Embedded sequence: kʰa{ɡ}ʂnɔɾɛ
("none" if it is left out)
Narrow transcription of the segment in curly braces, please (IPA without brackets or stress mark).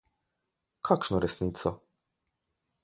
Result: k